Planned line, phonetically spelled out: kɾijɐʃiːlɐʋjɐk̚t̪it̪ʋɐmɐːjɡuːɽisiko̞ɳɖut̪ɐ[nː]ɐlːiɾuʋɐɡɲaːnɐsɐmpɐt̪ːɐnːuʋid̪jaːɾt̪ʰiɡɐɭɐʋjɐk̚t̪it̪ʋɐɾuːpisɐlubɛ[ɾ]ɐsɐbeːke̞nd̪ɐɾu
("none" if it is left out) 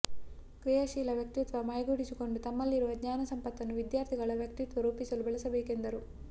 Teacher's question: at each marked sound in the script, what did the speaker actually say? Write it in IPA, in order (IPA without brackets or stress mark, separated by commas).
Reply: mː, ɭ